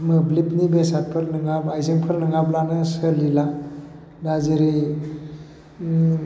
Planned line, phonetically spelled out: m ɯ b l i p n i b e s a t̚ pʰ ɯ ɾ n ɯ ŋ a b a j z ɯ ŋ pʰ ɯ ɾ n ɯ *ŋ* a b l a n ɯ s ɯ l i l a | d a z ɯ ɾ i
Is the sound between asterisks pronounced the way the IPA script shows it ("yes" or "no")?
yes